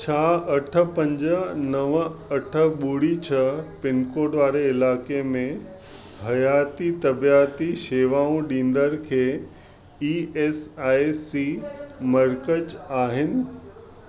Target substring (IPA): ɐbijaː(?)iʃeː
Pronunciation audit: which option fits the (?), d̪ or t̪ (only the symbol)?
t̪